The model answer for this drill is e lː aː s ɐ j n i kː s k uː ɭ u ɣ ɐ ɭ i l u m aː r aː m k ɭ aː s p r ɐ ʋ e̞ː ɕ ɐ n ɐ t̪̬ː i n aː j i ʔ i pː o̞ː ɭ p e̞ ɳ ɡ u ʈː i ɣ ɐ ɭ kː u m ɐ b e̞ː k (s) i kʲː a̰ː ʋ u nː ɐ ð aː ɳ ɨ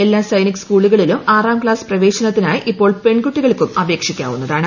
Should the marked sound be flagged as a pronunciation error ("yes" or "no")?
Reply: yes